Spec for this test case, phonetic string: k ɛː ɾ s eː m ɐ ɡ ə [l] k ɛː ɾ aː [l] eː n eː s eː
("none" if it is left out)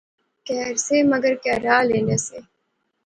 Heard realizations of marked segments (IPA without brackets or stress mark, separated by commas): ɾ, l